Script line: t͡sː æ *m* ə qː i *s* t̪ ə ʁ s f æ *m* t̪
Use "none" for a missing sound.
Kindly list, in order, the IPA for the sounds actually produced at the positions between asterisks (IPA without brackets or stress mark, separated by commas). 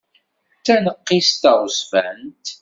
n, s, n